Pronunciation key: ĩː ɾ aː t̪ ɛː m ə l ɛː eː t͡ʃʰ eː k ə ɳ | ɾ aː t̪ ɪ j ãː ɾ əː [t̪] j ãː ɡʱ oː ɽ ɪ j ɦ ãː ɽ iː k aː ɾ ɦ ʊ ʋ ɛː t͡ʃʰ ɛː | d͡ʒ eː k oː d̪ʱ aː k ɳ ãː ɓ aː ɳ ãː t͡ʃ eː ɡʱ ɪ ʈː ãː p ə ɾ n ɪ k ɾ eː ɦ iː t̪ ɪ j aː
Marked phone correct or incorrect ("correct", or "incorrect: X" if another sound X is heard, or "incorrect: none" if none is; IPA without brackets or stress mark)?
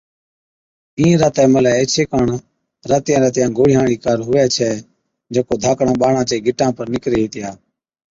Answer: correct